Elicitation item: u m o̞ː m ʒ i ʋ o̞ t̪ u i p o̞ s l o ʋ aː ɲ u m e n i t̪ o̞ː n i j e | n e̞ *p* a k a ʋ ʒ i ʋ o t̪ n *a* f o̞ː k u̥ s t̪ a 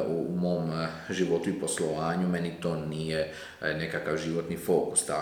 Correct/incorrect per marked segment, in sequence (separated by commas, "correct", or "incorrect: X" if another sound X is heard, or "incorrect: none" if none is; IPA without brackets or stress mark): incorrect: k, incorrect: i